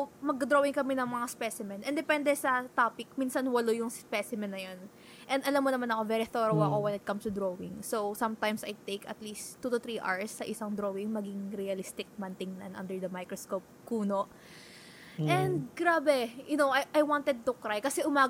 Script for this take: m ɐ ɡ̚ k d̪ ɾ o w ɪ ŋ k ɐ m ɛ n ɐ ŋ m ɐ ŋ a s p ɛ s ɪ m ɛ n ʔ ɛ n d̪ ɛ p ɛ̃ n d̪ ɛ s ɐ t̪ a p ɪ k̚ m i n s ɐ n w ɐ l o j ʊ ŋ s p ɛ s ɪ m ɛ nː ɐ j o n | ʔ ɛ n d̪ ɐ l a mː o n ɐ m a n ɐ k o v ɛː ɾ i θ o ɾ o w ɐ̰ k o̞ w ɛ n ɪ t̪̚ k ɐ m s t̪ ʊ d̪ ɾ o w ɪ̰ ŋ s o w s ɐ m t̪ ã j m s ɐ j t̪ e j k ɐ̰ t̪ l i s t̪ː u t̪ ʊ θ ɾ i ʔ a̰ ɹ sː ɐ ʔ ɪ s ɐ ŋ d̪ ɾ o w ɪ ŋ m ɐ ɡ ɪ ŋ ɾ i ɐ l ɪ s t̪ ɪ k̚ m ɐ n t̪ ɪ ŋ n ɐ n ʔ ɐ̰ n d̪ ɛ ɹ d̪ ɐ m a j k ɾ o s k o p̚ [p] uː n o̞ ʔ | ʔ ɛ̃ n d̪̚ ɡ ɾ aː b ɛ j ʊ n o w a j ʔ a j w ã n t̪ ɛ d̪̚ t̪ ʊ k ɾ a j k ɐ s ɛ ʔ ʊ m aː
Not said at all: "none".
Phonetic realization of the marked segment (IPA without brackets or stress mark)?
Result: k